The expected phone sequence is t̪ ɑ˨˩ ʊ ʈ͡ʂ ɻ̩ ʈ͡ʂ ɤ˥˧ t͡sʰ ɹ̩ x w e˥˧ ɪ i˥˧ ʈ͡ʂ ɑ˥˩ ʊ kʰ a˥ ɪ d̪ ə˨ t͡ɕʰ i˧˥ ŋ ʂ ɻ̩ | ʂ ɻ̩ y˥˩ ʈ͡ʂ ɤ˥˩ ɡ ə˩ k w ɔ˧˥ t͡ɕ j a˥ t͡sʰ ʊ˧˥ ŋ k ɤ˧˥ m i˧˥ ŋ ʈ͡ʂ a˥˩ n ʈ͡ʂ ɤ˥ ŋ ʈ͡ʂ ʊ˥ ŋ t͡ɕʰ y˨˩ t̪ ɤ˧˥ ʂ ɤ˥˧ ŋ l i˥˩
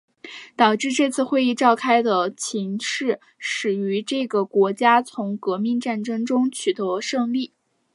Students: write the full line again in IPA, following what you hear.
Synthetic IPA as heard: t̪ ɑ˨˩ ʊ ʈ͡ʂ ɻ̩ ʈ͡ʂ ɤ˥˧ t͡sʰ ɹ̩ x w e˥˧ ɪ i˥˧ ʈ͡ʂ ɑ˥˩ ʊ kʰ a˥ ɪ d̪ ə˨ t͡ɕʰ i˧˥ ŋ ʂ ɻ̩ | ʂ ɻ̩ y˧˥ ʈ͡ʂ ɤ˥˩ ɡ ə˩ k w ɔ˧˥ t͡ɕ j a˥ t͡sʰ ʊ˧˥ ŋ k ɤ˧˥ m i˥˧ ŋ ʈ͡ʂ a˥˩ n ʈ͡ʂ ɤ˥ ŋ ʈ͡ʂ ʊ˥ ŋ t͡ɕʰ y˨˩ t̪ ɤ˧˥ ʂ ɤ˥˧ ŋ l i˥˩